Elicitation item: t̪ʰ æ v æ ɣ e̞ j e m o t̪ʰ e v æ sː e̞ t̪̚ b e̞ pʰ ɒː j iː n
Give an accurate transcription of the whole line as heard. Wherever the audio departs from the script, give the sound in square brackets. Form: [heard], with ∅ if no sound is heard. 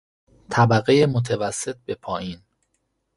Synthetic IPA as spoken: t̪ʰ æ [b] æ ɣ e̞ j e m o t̪ʰ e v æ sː e̞ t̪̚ b e̞ pʰ ɒː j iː n

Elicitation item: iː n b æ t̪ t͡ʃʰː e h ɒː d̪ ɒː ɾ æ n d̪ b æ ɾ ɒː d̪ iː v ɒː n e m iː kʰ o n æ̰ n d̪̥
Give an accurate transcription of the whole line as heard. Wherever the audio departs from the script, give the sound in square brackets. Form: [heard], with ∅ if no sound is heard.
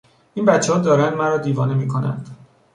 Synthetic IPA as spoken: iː n b æ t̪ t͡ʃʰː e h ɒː d̪ ɒː ɾ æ n d̪ [m] æ ɾ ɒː d̪ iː v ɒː n e m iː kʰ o n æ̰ n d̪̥

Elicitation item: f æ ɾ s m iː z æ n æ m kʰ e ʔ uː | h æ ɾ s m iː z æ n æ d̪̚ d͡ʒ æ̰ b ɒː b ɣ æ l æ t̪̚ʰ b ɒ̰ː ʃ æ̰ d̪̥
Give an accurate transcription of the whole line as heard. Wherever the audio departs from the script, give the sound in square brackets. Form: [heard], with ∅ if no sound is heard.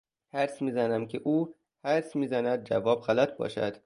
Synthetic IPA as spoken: [h] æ ɾ s m iː z æ n æ m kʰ e ʔ uː | h æ ɾ s m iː z æ n æ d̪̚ d͡ʒ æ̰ [v] ɒː b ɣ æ l æ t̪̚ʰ b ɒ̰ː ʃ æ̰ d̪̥

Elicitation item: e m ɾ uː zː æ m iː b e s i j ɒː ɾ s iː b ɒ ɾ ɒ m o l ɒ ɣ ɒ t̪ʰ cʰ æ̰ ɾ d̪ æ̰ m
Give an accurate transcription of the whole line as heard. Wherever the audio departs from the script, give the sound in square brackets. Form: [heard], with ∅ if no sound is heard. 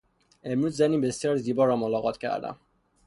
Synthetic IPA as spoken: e m ɾ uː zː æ [n] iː b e s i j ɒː ɾ [z] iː b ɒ ɾ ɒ m o l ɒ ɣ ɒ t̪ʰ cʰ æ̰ ɾ d̪ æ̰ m

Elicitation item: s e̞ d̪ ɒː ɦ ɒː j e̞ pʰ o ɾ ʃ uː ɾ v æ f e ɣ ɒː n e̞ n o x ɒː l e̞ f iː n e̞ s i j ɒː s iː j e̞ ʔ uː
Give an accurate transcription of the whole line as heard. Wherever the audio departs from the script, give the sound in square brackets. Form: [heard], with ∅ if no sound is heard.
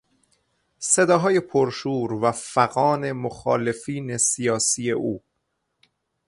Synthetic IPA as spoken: s e̞ d̪ ɒː ɦ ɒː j e̞ pʰ o ɾ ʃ uː ɾ v æ f [æ] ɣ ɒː n e̞ [m] o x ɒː l e̞ f iː n e̞ s i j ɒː s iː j e̞ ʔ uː

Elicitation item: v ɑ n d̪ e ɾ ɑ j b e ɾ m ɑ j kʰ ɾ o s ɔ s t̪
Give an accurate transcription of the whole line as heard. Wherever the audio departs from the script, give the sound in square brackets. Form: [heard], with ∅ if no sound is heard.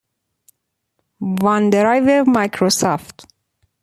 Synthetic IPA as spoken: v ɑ n d̪ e ɾ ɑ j [v] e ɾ m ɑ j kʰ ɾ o s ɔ [f] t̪

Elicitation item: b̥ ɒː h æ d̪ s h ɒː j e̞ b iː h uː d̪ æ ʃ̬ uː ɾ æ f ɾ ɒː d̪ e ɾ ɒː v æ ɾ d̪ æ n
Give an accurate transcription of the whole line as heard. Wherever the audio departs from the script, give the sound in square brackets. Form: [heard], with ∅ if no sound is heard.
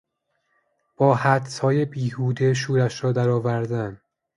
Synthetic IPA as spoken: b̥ ɒː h æ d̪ s h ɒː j e̞ b iː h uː d̪ [e] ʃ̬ uː ɾ æ [ʃ] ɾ ɒː d̪ [æ] ɾ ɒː v æ ɾ d̪ æ n

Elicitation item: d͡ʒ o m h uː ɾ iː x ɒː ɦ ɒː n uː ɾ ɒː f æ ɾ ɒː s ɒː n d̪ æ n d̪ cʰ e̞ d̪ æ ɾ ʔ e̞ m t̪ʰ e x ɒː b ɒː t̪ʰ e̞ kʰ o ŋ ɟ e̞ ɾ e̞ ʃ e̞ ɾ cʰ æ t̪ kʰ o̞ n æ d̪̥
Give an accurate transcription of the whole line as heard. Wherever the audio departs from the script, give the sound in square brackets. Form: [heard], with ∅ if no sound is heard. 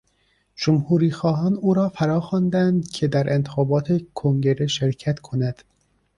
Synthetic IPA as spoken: d͡ʒ o m h uː ɾ iː x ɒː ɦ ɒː n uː ɾ ɒː f æ ɾ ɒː [x] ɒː n d̪ æ n d̪ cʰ e̞ d̪ æ ɾ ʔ e̞ [n] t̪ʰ e x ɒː b ɒː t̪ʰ e̞ kʰ o ŋ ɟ e̞ ɾ e̞ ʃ e̞ ɾ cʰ æ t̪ kʰ o̞ n æ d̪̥

